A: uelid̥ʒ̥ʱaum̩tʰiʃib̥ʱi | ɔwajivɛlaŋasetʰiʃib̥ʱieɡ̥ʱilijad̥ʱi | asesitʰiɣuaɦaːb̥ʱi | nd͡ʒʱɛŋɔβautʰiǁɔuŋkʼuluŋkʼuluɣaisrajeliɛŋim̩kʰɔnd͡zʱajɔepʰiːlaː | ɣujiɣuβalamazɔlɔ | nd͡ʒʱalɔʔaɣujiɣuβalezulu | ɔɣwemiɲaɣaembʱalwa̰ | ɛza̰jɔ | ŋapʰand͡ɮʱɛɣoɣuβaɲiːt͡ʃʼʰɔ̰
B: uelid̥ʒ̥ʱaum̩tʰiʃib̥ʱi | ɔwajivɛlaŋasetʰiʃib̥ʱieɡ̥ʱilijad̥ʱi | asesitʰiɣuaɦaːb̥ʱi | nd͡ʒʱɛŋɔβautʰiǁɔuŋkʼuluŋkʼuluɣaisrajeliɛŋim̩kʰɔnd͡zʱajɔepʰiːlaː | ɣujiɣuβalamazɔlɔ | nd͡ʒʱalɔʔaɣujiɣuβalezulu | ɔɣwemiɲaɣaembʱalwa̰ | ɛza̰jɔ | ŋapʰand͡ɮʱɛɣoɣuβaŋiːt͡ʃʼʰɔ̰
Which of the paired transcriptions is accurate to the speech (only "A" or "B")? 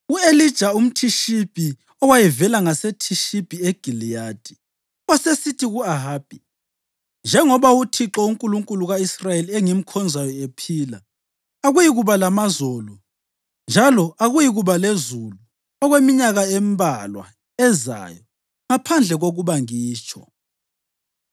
B